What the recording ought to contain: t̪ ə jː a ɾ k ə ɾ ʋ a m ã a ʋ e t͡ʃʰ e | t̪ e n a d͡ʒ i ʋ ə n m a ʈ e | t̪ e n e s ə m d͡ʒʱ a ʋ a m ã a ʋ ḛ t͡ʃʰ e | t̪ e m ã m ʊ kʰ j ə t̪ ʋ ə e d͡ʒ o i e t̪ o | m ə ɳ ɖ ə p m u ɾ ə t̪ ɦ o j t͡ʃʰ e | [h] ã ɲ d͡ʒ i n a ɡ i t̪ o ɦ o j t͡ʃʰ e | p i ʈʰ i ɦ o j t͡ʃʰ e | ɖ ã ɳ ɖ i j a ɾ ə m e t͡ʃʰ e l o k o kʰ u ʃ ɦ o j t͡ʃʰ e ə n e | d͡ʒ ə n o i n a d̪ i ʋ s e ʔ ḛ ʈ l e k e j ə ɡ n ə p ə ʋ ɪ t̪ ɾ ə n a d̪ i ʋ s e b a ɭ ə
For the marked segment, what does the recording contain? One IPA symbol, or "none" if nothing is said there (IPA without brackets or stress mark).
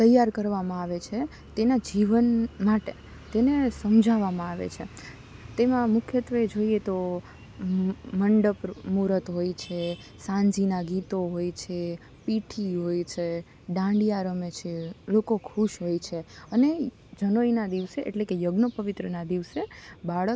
s